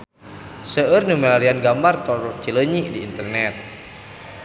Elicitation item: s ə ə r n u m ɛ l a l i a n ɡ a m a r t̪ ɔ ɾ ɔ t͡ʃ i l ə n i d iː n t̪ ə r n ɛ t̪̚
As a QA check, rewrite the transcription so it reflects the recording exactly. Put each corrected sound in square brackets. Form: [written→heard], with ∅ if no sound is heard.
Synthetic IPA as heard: s ə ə r n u m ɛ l a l i a n ɡ a m a r t̪ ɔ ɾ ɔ t͡ʃ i l ə [n→ɲ] i d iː n t̪ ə r n ɛ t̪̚